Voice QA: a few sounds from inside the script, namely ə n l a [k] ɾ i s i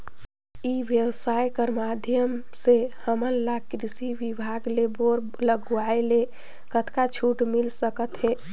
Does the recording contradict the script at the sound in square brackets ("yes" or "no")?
no